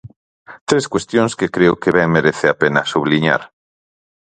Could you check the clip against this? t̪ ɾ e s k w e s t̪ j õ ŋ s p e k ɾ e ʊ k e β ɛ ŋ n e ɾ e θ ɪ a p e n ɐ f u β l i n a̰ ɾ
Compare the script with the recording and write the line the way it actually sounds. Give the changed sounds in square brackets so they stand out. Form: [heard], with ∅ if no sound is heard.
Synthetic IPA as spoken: t̪ ɾ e s k w e s t̪ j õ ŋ s [k] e k ɾ e ʊ k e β ɛ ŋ [m] e ɾ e θ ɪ a p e n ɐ [s] u β l i [ɲ] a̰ ɾ